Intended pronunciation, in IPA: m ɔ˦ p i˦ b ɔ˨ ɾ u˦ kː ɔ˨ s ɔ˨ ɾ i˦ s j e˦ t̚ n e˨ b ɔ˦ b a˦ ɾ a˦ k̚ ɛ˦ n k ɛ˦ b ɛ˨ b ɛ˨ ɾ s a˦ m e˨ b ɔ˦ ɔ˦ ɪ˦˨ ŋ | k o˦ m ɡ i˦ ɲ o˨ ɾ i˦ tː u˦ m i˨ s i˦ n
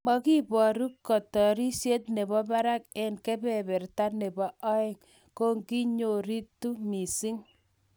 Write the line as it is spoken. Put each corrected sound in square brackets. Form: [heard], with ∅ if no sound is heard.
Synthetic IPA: m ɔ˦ [k] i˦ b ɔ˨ ɾ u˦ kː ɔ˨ [t] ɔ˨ ɾ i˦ s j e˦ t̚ n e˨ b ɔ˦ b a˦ ɾ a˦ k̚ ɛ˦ n k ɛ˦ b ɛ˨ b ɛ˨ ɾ [t] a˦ [n] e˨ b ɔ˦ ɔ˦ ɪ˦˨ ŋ | k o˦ [ŋ] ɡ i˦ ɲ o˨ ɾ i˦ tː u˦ m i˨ s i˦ [ŋ]